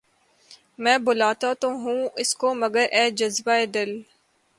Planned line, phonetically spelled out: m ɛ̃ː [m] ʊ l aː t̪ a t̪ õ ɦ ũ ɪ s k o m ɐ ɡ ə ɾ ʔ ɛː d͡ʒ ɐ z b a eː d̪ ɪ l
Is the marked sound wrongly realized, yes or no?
yes